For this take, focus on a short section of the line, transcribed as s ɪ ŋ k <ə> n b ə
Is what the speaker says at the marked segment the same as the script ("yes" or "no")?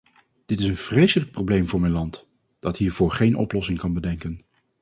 no